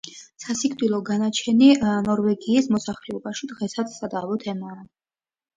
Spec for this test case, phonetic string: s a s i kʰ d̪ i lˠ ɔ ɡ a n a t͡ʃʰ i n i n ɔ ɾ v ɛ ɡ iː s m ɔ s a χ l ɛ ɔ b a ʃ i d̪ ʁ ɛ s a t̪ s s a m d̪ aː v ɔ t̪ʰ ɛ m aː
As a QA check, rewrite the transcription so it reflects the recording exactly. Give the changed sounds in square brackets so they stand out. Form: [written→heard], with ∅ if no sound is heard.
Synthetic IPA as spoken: s a s i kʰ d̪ i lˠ ɔ ɡ a n a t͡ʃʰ [i→ɛ] n i n ɔ ɾ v ɛ ɡ iː s m ɔ s a χ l ɛ ɔ b a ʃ i d̪ ʁ ɛ s a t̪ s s a [m→∅] d̪ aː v ɔ t̪ʰ ɛ m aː